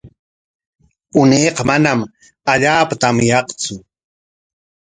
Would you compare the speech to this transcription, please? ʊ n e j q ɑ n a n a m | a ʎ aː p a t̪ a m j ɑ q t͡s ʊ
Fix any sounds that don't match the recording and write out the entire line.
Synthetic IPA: ʊ n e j q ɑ m a n a m | a ʎ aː p a t̪ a m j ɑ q t͡s ʊ

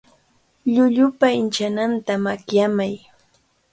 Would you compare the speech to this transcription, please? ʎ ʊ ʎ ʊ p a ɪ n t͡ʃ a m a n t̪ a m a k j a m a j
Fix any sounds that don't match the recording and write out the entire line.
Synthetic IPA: ʎ ʊ ʎ ʊ p a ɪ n t͡ʃ a n a n t̪ a m a k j a m a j

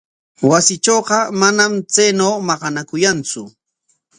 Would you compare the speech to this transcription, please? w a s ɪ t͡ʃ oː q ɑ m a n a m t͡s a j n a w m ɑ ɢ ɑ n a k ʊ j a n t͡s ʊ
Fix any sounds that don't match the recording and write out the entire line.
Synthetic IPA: w a s ɪ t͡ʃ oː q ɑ m a n a m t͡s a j n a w m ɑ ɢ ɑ n a k ʊ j a n t͡s ʊ

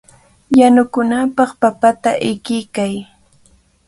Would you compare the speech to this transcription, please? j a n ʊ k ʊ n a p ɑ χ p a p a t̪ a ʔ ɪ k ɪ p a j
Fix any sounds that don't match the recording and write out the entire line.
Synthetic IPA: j a n ʊ k ʊ n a p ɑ χ p a p a t̪ a ʔ ɪ k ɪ k a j

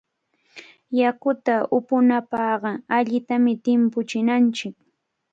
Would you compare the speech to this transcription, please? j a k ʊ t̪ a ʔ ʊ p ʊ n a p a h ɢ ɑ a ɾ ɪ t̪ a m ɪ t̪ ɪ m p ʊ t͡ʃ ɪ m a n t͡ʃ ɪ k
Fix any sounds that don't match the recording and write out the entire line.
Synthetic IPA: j a k ʊ t̪ a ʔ ʊ p ʊ n a p ɑ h ɢ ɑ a ʎ ɪ t̪ a m ɪ t̪ ɪ m p ʊ t͡ʃ ɪ n a n t͡ʃ ɪ k

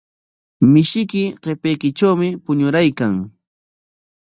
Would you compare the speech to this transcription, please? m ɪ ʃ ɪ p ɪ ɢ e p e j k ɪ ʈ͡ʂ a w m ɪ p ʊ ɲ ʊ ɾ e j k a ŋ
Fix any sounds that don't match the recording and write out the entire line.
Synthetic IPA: m ɪ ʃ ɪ k ɪ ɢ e p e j k ɪ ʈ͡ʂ a w m ɪ p ʊ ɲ ʊ ɾ a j k a ŋ

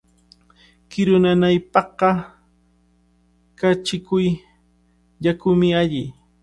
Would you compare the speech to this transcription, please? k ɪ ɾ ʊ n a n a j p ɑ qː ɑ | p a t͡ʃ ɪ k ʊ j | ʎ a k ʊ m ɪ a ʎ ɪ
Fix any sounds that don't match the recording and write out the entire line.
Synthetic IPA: k ɪ ɾ ʊ n a n a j p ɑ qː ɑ | k a t͡ʃ ɪ k ʊ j | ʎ a k ʊ m ɪ a ʎ ɪ

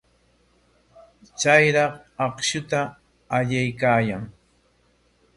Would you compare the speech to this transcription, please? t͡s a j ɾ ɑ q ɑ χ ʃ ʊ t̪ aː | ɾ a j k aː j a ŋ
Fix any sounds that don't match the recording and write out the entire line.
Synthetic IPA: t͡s a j ɾ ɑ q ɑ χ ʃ ʊ t̪ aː | ʎ a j k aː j a ŋ

